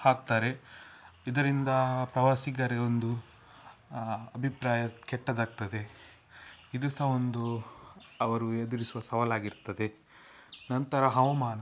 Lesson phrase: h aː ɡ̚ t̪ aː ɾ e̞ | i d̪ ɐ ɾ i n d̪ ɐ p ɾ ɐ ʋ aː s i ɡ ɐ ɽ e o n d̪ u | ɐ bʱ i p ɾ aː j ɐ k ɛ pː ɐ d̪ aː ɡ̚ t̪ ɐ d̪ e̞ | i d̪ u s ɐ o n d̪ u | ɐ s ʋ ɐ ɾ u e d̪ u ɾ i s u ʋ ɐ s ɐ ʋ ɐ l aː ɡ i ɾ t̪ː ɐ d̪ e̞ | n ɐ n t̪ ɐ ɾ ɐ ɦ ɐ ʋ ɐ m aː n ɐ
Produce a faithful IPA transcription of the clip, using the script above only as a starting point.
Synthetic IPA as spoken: h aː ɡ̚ t̪ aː ɾ e̞ | i d̪ ɐ ɾ i n d̪ ɐ p ɾ ɐ ʋ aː s i ɡ ɐ ɾ e o n d̪ u | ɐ bʱ i p ɾ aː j ɐ k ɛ ʈː ɐ d̪ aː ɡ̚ t̪ ɐ d̪ e̞ | i d̪ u s ɐ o n d̪ u | ɐ ʋ ɐ ɾ u e d̪ u ɾ i s u ʋ ɐ s ɐ ʋ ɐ l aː ɡ i ɾ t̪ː ɐ d̪ e̞ | n ɐ n t̪ ɐ ɾ ɐ ɦ ɐ ʋ ɐ m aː n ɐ